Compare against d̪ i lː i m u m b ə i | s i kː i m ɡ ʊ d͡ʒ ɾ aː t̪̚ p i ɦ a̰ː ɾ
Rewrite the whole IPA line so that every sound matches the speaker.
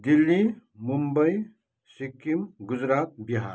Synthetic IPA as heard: d̪ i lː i m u m b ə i | s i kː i m ɡ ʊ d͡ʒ ɾ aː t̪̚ b i ɦ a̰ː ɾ